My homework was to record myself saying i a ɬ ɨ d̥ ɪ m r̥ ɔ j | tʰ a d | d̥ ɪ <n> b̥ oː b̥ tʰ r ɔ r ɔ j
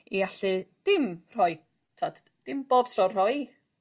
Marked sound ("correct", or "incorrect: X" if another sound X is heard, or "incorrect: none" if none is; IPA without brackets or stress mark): incorrect: m